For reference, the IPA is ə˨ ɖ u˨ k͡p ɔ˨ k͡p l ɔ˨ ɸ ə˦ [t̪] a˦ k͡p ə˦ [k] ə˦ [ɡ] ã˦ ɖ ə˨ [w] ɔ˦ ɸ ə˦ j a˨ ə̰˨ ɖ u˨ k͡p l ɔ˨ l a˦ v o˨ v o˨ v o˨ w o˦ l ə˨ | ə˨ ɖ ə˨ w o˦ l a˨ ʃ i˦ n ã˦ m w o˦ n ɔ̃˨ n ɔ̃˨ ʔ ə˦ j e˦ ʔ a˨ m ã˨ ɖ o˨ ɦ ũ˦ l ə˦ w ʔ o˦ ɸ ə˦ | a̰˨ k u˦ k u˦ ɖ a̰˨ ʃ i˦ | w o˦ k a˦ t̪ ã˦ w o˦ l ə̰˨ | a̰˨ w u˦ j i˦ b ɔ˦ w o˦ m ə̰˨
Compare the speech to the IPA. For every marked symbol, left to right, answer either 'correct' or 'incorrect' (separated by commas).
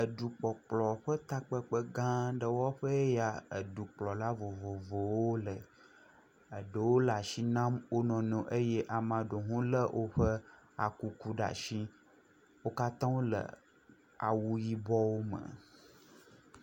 correct, incorrect, correct, correct